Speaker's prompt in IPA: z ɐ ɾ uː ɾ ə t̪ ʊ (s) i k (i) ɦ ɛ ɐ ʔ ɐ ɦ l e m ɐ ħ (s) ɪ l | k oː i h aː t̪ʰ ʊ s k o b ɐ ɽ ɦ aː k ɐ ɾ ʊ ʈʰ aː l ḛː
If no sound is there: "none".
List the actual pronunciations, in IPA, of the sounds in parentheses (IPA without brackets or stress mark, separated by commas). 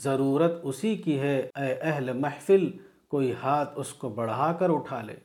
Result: s, i, f